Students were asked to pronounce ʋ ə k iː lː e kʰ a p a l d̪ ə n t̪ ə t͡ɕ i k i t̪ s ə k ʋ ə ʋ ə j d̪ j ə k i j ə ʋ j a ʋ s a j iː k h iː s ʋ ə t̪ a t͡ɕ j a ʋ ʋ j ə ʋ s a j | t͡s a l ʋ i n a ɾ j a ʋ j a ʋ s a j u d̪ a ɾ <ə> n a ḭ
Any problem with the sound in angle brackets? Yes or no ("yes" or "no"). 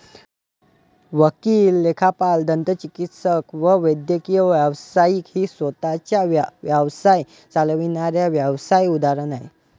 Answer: no